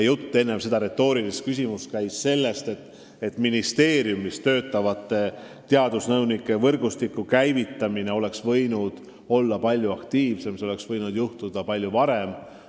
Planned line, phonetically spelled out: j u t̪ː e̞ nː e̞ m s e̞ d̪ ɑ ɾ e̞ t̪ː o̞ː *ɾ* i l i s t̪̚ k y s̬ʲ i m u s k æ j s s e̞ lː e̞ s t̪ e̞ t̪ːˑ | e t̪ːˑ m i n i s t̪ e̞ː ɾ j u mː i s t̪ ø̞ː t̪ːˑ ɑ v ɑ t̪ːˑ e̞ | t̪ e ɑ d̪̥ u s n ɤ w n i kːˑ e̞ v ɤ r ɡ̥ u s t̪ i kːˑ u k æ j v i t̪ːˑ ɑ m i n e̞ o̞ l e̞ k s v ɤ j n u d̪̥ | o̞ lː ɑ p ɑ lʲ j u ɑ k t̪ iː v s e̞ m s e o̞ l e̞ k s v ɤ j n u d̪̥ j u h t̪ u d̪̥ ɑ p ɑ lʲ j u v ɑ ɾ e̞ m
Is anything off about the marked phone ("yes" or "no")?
no